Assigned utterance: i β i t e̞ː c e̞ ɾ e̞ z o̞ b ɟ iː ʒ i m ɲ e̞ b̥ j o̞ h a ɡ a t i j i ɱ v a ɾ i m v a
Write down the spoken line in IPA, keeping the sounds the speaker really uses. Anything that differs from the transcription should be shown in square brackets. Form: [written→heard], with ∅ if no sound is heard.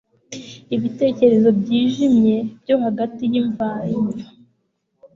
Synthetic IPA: i β i t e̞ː c e̞ ɾ e̞ z o̞ b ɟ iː ʒ i m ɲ e̞ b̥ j o̞ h a ɡ a t i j i ɱ v a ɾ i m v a